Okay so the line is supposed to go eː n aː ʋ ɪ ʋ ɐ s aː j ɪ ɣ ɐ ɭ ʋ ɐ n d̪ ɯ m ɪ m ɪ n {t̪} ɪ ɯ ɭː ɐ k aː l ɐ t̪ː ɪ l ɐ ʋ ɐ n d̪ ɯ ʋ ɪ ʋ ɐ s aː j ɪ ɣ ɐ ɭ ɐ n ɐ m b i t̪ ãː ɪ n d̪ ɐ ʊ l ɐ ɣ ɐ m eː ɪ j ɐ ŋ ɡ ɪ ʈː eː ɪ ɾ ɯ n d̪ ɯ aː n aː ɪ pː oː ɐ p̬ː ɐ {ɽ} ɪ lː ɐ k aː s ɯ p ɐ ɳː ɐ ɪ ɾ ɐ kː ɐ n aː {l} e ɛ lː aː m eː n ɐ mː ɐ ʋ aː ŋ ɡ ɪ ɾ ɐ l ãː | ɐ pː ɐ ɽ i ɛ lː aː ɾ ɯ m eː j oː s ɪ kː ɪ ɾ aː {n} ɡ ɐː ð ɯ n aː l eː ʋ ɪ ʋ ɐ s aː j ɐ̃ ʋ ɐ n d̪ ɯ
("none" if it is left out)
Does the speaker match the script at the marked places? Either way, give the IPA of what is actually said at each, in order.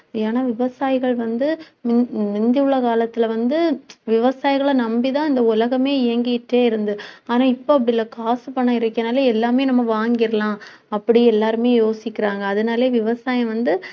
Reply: d̪, ɽ, l, ŋ

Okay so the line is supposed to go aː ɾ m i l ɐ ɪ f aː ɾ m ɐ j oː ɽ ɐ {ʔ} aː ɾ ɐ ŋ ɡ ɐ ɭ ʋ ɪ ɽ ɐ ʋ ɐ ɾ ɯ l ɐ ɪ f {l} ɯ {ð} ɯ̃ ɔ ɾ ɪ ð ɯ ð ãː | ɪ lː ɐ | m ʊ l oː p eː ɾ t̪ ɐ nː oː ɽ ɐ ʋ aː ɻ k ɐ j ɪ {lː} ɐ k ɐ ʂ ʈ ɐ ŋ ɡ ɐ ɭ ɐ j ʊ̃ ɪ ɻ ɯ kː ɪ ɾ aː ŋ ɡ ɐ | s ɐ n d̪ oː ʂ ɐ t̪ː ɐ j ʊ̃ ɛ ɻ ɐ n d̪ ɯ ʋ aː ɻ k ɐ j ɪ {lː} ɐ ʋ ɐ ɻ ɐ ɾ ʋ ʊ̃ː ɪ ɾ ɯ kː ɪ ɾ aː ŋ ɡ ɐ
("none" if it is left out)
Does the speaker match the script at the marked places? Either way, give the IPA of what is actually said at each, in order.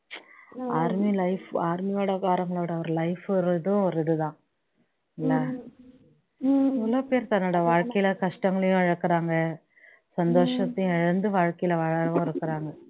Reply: k, ɾ, ð, l, l

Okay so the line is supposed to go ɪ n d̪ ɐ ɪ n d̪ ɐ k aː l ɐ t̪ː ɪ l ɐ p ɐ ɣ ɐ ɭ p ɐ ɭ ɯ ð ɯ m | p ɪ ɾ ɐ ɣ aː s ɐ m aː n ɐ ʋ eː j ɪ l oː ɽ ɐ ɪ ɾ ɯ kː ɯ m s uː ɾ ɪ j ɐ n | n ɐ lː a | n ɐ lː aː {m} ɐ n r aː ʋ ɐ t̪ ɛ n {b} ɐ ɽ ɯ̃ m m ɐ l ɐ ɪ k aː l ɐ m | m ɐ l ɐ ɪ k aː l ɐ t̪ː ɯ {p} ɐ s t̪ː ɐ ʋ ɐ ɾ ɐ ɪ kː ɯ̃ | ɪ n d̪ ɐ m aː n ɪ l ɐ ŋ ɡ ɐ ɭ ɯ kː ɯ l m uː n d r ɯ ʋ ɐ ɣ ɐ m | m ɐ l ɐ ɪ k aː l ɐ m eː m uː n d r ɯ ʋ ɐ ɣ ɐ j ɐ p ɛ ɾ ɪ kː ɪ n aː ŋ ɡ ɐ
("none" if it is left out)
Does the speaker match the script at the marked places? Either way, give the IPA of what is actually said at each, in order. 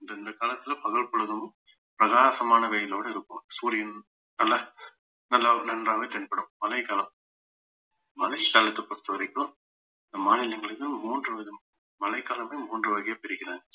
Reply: n, p, p

